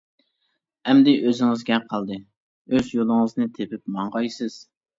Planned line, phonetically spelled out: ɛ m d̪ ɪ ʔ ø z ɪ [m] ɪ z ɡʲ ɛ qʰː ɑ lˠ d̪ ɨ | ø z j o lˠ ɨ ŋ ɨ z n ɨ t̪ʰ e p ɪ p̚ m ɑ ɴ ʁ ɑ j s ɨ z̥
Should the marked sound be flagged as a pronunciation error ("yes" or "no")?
yes